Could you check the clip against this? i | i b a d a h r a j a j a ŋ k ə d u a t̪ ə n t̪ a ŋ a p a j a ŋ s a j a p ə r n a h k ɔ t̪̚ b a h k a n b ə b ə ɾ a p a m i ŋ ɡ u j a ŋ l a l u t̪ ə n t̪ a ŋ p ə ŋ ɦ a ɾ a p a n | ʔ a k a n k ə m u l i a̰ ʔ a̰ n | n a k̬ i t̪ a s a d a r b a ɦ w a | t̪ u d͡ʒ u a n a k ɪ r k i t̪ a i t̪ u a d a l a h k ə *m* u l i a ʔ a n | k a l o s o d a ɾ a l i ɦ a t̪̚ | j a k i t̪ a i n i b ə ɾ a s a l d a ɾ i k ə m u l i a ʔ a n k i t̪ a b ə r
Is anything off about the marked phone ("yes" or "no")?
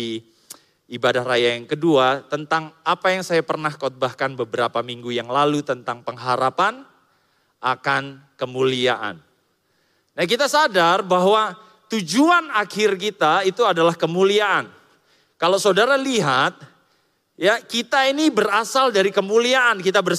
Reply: no